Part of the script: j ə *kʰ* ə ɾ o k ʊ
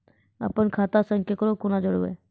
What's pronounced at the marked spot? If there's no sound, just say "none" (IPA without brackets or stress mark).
k